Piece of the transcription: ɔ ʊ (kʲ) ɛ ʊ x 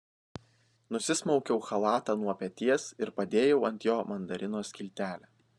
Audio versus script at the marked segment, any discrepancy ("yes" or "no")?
no